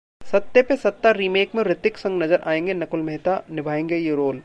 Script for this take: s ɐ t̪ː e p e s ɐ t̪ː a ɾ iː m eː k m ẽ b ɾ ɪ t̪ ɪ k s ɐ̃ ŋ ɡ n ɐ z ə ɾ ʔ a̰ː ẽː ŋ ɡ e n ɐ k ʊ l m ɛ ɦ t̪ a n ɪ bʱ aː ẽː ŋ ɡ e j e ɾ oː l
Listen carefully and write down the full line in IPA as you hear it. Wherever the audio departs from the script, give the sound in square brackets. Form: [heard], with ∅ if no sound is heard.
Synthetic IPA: s ɐ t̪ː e p e s ɐ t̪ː a ɾ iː m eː k m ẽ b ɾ ɪ t̪ ɪ k s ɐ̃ ŋ ɡ n ɐ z ə ɾ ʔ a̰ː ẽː ŋ ɡ e n ɐ k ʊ l m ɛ ɦ t̪ a n ɪ bʱ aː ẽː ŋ ɡ e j e ɾ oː l